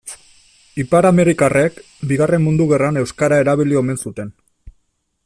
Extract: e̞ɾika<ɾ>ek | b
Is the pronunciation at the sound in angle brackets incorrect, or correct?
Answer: incorrect